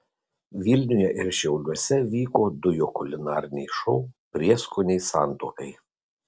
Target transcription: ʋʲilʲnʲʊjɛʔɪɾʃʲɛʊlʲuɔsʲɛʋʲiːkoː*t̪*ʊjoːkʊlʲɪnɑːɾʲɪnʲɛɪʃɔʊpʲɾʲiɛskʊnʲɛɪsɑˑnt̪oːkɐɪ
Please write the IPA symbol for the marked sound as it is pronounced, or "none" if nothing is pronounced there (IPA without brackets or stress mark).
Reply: d̪